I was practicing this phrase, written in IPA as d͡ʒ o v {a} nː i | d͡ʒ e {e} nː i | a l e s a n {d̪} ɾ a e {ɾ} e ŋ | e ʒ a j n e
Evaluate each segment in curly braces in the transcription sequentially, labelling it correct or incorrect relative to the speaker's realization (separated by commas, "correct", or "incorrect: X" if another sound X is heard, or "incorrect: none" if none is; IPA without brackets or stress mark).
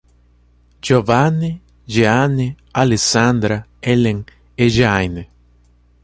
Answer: correct, incorrect: a, correct, incorrect: l